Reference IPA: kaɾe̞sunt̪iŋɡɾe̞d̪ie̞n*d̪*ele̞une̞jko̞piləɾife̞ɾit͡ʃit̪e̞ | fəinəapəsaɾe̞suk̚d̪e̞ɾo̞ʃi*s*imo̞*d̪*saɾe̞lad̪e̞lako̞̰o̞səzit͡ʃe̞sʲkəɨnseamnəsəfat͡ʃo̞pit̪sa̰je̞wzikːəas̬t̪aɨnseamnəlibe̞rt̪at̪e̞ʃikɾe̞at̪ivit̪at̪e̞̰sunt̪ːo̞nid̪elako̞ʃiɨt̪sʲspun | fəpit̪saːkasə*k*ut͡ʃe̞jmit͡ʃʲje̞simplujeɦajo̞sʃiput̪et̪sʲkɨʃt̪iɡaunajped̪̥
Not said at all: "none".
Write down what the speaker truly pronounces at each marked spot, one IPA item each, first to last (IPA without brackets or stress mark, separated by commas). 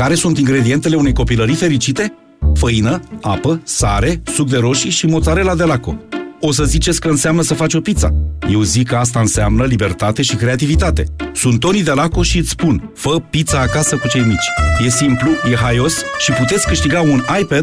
t̪, ʃ, t̪, k